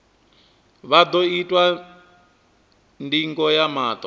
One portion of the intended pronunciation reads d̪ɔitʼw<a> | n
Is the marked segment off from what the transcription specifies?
no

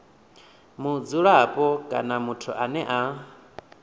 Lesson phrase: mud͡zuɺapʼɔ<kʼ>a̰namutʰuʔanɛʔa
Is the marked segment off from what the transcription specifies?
no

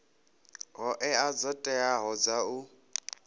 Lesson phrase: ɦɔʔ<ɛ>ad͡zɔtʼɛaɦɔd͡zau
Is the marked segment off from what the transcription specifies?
no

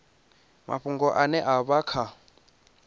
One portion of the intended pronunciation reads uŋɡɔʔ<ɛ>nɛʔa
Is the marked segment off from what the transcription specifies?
yes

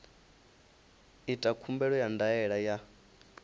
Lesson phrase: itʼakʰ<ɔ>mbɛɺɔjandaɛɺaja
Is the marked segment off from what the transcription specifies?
yes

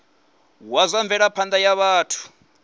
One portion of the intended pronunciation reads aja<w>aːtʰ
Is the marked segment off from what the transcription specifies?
yes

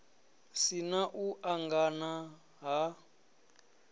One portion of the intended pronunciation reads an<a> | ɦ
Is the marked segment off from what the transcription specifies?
no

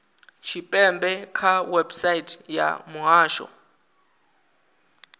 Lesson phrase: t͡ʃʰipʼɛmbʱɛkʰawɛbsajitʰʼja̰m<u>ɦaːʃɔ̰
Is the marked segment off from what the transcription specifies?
no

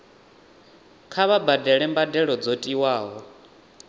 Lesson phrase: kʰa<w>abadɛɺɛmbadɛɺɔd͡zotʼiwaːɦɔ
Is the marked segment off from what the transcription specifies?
yes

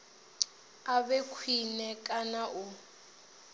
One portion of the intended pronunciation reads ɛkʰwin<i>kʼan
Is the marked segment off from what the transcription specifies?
yes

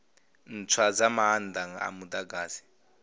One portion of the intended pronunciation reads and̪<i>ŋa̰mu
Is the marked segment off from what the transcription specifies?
yes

